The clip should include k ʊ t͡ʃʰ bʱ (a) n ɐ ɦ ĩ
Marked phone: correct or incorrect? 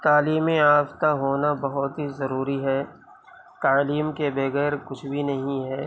incorrect